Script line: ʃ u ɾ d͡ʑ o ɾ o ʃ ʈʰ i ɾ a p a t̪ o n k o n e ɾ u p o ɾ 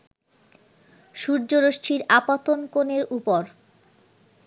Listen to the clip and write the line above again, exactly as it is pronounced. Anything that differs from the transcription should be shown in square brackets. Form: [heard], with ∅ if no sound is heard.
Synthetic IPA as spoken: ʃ u ɾ d͡ʑ o ɾ o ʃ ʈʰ i ɾ a p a t̪ o n k o n e ɾ u p o ɾ